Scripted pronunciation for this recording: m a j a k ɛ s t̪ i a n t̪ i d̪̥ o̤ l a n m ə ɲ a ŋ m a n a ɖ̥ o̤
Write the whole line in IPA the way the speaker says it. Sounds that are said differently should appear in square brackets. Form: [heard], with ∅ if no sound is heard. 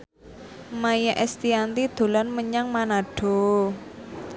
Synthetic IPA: m a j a [ʔ] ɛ s t̪ i a n t̪ i d̪̥ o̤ l a n m ə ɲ a ŋ m a n a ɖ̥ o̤